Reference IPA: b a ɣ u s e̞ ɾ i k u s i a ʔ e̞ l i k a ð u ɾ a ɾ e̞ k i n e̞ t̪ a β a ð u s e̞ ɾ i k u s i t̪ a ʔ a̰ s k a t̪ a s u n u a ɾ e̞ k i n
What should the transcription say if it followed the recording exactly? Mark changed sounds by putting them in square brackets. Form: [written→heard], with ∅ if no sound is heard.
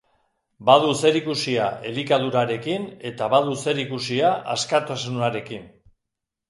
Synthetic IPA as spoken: b a [ɣ→ð] u s e̞ ɾ i k u s i a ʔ e̞ l i k a ð u ɾ a ɾ e̞ k i n e̞ t̪ a β a ð u s e̞ ɾ i k u s i [t̪→∅] a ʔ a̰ s k a t̪ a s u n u a ɾ e̞ k i n

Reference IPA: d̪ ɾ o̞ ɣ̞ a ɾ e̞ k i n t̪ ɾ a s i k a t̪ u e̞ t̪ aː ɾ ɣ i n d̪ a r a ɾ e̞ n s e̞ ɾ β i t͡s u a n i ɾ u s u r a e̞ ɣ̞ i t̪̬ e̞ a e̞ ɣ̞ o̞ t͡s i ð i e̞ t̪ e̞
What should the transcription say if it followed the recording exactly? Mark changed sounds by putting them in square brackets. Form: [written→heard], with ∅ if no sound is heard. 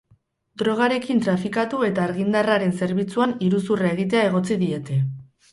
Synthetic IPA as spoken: d̪ ɾ o̞ ɣ̞ a ɾ e̞ k i n t̪ ɾ a [s→f] i k a t̪ u e̞ t̪ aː ɾ ɣ i n d̪ a r a ɾ e̞ n s e̞ ɾ β i t͡s u a n i ɾ u s u r a e̞ ɣ̞ i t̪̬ e̞ a e̞ ɣ̞ o̞ t͡s i ð i e̞ t̪ e̞

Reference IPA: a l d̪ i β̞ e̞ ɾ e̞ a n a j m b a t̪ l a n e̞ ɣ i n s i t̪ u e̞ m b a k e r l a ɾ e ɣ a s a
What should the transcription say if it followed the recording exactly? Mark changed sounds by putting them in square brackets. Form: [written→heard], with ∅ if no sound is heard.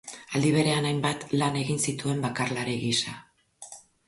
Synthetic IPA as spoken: a l d̪ i β̞ e̞ ɾ e̞ a n a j m b a t̪ l a n e̞ ɣ i n s i t̪ u e̞ m b a k [e→a] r l a ɾ e ɣ [a→i] s a

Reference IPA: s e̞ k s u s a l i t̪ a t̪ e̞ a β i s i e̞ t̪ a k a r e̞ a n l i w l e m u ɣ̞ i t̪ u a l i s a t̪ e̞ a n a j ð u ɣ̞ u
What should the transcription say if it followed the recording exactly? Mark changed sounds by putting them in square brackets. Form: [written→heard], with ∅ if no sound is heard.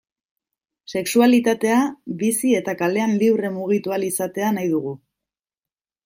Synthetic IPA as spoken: s e̞ k s u [s→∅] a l i t̪ a t̪ e̞ a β i s i e̞ t̪ a k a [r→l] e̞ a n l i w [l→r] e m u ɣ̞ i t̪ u a l i s a t̪ e̞ a n a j ð u ɣ̞ u

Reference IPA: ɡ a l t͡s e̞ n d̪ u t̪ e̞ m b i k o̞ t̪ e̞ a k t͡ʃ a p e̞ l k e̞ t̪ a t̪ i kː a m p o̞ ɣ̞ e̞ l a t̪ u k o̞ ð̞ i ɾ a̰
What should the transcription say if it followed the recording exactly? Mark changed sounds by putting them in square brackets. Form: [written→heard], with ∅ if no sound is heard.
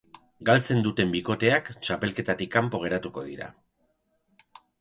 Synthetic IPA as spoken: ɡ a l t͡s e̞ n d̪ u t̪ e̞ m b i k o̞ t̪ e̞ a k t͡ʃ a p e̞ l k e̞ t̪ a t̪ i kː a m p o̞ ɣ̞ e̞ [l→ɾ] a t̪ u k o̞ ð̞ i ɾ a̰

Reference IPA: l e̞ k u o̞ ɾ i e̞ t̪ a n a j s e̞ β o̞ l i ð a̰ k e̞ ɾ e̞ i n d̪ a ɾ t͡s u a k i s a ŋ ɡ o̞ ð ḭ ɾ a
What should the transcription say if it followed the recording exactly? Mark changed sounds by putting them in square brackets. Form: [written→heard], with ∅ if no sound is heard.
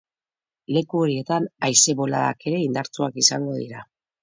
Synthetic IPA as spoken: l e̞ k u o̞ ɾ i e̞ t̪ a n a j s e̞ β o̞ l [i→a] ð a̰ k e̞ ɾ e̞ i n d̪ a ɾ t͡s u a k i s a ŋ ɡ o̞ ð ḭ ɾ a

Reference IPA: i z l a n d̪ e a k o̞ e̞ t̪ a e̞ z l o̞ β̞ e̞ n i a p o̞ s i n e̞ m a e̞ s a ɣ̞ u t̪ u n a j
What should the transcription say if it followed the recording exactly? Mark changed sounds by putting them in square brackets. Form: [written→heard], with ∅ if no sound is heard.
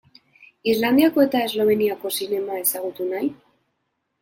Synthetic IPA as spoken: i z l a n d̪ [e→i] a k o̞ e̞ t̪ a e̞ z l o̞ β̞ e̞ n i a [p→k] o̞ s i n e̞ m a e̞ s a ɣ̞ u t̪ u n a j

